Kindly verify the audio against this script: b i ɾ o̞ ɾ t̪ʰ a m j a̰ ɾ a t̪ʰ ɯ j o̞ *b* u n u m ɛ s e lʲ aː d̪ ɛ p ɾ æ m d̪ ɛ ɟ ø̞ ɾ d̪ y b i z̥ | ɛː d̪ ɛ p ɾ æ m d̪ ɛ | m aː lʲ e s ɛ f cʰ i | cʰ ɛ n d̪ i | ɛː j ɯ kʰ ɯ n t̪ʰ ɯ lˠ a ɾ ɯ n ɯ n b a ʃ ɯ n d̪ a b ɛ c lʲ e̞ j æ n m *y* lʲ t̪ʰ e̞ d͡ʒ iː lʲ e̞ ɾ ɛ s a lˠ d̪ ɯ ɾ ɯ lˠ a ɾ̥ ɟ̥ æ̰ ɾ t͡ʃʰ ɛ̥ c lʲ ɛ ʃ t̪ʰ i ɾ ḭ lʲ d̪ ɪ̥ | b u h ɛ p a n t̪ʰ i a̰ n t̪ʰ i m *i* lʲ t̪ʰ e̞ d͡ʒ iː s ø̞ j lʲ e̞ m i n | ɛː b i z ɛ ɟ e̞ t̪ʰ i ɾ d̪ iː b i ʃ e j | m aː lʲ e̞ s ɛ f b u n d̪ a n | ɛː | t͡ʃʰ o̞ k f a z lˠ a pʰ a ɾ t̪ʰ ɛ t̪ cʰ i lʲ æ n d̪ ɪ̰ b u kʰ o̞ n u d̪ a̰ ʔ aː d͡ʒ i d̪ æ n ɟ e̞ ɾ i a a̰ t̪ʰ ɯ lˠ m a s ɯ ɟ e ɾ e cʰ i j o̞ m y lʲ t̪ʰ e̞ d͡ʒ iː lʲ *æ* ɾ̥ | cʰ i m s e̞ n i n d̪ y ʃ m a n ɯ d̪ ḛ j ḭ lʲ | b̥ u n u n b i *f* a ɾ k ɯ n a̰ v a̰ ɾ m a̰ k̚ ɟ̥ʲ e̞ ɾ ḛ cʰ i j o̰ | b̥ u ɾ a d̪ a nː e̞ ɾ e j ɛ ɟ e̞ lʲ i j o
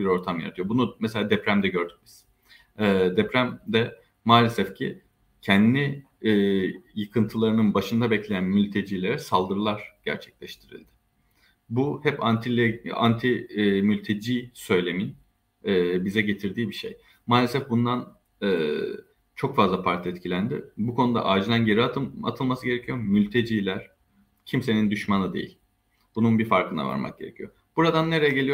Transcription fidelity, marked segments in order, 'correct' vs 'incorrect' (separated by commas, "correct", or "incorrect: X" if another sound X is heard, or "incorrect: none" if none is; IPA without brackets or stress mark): correct, correct, incorrect: y, correct, correct